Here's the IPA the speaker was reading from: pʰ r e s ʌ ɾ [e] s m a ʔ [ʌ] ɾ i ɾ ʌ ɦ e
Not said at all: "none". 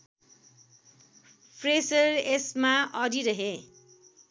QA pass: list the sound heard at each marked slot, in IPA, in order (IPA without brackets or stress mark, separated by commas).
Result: e, ʌ